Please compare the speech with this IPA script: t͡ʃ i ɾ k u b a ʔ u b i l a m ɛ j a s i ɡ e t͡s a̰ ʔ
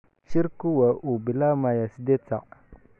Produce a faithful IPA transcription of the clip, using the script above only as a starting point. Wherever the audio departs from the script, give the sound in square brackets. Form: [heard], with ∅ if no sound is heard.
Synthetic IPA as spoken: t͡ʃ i ɾ k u [w] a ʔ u b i l a m [a] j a s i [d] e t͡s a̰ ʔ